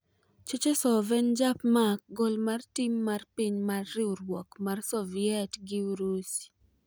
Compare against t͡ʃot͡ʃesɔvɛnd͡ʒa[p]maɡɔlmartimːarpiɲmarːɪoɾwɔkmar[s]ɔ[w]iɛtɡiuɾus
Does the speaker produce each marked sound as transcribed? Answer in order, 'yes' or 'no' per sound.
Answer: yes, yes, no

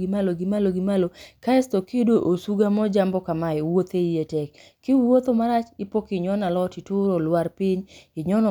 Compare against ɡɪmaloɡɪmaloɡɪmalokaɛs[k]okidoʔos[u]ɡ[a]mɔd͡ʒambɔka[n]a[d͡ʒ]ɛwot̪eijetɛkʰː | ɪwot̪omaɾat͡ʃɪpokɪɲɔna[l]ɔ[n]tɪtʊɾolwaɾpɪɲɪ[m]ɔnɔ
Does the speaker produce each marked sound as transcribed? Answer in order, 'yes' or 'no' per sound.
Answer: no, yes, yes, no, no, yes, no, no

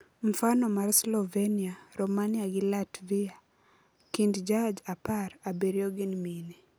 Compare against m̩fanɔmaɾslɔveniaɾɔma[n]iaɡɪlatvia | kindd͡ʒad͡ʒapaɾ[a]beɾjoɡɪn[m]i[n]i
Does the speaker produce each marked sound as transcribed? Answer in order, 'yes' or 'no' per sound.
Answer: yes, yes, yes, yes

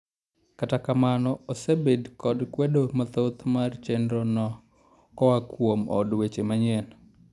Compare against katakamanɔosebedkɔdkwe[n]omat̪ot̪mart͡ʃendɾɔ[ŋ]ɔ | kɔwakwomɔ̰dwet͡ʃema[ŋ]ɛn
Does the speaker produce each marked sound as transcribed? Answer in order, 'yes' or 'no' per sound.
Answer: no, no, no

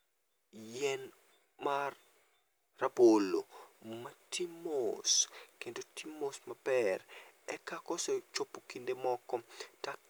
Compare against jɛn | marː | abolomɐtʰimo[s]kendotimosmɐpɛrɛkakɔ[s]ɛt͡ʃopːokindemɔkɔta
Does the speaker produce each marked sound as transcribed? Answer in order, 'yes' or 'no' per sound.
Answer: yes, yes

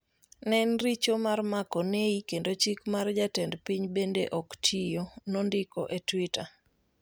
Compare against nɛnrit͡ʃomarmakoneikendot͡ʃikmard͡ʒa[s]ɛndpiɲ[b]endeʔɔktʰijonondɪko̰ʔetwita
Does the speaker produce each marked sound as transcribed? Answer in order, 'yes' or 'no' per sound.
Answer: no, yes

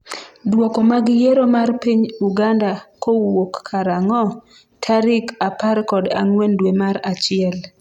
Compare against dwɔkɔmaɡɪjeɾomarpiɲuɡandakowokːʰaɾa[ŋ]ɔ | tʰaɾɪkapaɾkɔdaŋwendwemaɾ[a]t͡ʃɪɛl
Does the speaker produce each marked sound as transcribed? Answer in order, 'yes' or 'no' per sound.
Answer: yes, yes

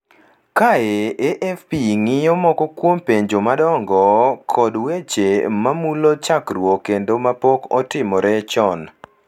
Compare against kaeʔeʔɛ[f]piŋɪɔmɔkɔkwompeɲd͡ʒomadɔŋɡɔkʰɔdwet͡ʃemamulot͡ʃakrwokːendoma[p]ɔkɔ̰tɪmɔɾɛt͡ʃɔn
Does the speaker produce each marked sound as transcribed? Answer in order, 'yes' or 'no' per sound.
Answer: yes, yes

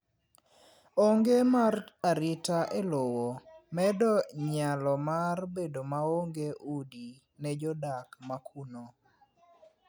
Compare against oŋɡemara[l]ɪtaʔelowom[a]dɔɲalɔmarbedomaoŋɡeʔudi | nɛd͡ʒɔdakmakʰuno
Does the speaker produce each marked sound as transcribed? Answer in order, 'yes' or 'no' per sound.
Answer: no, no

